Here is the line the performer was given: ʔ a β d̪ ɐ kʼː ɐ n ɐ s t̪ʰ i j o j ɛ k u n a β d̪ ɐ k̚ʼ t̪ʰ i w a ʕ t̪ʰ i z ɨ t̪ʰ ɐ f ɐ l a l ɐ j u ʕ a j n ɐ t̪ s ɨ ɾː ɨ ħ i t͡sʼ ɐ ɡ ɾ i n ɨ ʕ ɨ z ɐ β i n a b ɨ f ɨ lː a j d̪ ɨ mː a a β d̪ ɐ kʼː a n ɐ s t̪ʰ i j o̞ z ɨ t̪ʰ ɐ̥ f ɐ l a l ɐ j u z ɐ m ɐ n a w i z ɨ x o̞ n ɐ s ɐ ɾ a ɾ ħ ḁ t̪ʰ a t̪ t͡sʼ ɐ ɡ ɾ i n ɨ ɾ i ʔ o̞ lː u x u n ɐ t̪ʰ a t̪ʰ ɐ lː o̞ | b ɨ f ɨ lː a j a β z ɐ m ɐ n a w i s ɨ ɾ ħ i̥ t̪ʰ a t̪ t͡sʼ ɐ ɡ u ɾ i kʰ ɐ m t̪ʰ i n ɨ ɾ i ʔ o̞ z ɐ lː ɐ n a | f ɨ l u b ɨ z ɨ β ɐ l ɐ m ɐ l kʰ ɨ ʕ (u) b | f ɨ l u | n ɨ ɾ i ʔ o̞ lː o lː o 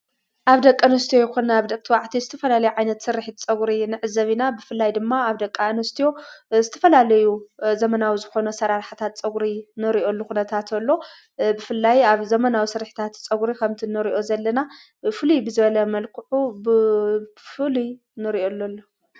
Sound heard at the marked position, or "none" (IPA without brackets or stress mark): u